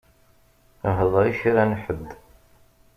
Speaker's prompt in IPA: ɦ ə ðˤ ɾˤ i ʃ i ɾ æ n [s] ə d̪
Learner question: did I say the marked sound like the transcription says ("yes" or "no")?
no